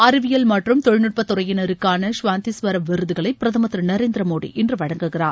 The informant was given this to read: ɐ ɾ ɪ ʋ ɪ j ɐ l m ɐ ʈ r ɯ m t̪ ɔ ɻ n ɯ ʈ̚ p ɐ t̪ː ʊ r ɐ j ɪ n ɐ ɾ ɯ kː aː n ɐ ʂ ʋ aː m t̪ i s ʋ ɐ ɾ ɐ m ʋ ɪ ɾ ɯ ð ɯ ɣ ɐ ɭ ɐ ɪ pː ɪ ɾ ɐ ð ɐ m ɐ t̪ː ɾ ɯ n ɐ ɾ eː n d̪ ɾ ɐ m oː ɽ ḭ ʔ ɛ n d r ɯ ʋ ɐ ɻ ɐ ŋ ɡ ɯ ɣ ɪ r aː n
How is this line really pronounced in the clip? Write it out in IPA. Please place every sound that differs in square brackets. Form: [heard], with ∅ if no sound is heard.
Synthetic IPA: ɐ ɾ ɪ ʋ ɪ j ɐ l m ɐ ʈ r ɯ m t̪ ɔ ɻ n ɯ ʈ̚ p ɐ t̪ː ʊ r ɐ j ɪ n ɐ ɾ ɯ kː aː n ɐ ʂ ʋ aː [n] t̪ i s ʋ ɐ ɾ ɐ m ʋ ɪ ɾ ɯ ð ɯ ɣ ɐ ɭ ɐ ɪ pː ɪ ɾ ɐ ð ɐ m ɐ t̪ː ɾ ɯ n ɐ ɾ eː n d̪ ɾ ɐ m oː ɽ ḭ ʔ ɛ n d r ɯ ʋ ɐ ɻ ɐ ŋ ɡ ɯ ɣ ɪ r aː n